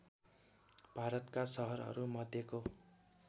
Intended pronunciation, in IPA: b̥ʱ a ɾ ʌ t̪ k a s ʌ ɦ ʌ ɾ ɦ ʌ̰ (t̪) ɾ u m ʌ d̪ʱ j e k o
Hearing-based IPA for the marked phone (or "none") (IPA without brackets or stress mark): none